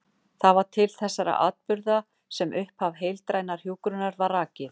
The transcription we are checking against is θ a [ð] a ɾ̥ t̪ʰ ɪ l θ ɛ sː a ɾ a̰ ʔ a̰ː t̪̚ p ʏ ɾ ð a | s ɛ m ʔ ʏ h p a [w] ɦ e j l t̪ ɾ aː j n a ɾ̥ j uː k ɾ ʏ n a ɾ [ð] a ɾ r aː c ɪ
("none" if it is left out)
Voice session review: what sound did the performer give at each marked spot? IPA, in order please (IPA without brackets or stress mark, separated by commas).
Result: v, v, v